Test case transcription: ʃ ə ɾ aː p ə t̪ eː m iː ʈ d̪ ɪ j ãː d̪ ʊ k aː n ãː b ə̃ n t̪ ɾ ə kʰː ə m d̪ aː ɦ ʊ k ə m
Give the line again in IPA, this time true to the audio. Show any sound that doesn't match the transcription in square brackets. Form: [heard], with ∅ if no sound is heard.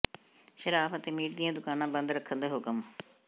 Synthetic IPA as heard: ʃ ə ɾ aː p ə t̪ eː m iː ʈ d̪ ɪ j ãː d̪ ʊ k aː n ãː b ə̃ n [d̪] ɾ ə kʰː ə [n] d̪ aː ɦ ʊ k ə m